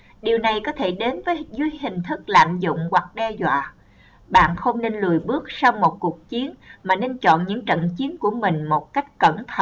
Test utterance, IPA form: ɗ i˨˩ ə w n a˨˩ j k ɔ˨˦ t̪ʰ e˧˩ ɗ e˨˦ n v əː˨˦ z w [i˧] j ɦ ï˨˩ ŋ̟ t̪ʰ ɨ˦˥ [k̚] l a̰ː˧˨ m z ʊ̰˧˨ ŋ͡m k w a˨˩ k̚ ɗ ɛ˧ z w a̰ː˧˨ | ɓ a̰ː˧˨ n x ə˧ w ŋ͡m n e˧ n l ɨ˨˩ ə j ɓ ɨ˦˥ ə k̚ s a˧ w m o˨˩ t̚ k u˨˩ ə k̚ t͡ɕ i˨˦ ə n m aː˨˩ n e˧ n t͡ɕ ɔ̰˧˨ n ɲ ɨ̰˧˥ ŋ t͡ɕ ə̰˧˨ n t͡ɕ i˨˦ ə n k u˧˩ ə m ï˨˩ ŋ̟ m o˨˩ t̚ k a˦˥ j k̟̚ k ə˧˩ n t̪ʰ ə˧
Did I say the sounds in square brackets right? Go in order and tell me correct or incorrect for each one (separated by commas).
correct, correct